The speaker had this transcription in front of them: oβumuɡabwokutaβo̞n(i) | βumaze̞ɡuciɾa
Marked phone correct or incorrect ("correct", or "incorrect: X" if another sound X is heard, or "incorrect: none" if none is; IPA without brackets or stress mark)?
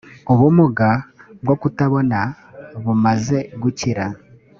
incorrect: a